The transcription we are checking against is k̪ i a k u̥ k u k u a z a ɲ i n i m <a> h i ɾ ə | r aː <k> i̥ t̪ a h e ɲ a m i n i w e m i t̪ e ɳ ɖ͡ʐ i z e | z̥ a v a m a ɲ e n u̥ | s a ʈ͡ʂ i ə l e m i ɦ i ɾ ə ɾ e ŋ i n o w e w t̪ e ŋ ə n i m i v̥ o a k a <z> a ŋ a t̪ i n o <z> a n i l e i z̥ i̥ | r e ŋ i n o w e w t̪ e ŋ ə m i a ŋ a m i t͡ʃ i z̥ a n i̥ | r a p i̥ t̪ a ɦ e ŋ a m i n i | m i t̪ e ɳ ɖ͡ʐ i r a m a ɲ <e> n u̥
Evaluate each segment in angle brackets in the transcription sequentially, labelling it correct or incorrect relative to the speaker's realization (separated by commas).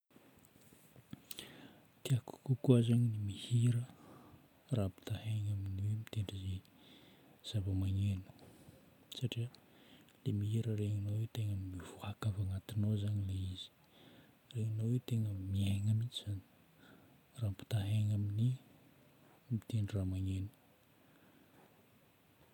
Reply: incorrect, incorrect, incorrect, correct, correct